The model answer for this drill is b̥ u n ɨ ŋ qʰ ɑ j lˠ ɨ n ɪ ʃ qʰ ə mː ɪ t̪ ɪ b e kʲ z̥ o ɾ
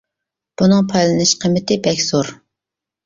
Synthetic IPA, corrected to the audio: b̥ u n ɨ ŋ pʰ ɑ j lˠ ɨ n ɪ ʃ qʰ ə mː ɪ t̪ ɪ b ɛ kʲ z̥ o ɾ